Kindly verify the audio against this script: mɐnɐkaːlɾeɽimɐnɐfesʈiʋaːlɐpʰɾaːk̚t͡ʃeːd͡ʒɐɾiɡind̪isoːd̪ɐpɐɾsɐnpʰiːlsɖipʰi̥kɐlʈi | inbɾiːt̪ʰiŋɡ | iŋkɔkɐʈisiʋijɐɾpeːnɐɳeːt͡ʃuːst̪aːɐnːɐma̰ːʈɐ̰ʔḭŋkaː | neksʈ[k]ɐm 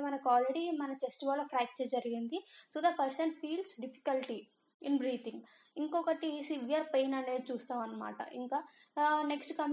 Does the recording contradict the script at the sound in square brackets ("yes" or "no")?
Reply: no